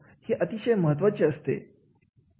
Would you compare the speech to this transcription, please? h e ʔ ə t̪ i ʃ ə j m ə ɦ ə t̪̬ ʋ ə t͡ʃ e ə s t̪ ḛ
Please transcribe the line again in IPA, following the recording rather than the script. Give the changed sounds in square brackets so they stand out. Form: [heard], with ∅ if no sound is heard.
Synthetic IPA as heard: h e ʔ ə t̪ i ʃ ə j m ə ɦ ə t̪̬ ʋ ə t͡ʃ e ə s t̪ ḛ